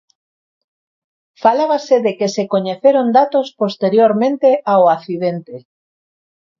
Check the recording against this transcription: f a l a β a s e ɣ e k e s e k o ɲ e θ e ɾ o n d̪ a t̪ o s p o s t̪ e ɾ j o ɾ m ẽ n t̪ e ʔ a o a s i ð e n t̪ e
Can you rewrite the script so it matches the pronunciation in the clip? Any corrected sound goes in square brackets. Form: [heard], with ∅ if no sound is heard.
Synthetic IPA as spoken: f a l a β a s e [ð] e k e s e k o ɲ e θ e ɾ o n d̪ a t̪ o s p o s t̪ e ɾ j o ɾ m ẽ n t̪ e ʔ a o a [θ] i ð e n t̪ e